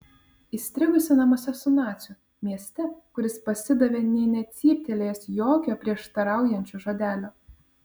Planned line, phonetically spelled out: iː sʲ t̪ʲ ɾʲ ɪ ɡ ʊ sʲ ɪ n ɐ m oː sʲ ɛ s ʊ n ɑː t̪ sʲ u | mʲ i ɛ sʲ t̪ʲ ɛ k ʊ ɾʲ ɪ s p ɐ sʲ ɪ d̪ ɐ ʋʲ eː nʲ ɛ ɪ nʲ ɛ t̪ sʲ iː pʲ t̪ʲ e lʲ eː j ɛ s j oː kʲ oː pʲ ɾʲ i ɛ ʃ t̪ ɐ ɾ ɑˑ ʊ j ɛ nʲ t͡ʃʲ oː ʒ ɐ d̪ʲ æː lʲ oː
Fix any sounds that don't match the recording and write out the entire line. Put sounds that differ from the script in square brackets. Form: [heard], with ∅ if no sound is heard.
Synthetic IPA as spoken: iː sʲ t̪ʲ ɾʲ ɪ ɡ ʊ sʲ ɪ n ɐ m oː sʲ ɛ s ʊ n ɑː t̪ sʲ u | mʲ i ɛ sʲ t̪ʲ ɛ k ʊ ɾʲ ɪ s p ɐ sʲ ɪ d̪ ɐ ʋʲ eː nʲ ɛ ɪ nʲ ɛ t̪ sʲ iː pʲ t̪ʲ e lʲ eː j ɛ s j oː kʲ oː pʲ ɾʲ i ɛ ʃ t̪ ɐ ɾ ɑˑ ʊ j ɛ nʲ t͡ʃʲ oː ʒ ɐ d̪ʲ æː lʲ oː